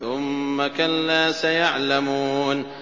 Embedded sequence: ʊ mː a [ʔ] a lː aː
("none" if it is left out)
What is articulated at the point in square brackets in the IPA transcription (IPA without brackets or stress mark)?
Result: k